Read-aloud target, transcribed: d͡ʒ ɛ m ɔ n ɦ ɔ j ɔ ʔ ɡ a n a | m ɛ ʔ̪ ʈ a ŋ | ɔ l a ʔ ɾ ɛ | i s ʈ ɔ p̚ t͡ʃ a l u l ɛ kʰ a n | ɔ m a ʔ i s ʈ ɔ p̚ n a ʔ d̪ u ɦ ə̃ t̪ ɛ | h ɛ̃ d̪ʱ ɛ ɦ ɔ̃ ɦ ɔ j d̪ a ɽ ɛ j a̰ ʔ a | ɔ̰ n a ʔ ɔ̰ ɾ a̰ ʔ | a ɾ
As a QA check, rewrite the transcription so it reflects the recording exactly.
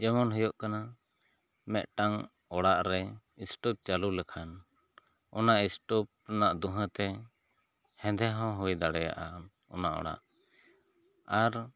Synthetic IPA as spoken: d͡ʒ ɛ m ɔ n ɦ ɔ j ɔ ʔ k a n a | m ɛ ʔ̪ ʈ a ŋ | ɔ ɽ a ʔ ɾ ɛ | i s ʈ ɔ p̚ t͡ʃ a l u l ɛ kʰ a n | ɔ n a ʔ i s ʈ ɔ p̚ n a ʔ d̪ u ɦ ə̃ t̪ ɛ | h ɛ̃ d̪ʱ ɛ ɦ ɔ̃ ɦ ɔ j d̪ a ɽ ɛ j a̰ ʔ a | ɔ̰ n a ʔ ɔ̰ ɽ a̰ ʔ | a ɾ